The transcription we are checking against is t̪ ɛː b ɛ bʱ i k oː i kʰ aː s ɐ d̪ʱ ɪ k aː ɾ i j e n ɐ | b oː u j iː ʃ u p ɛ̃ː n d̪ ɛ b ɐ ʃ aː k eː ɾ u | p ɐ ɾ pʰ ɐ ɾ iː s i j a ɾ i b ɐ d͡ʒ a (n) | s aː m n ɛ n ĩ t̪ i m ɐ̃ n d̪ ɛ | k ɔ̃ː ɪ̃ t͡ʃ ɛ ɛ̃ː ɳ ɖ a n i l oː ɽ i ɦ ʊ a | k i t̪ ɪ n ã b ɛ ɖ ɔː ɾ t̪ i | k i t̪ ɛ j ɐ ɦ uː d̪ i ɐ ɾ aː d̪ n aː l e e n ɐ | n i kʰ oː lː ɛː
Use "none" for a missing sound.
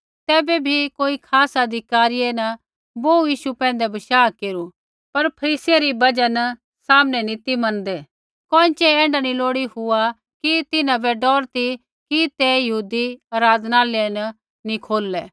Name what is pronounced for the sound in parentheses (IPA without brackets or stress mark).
n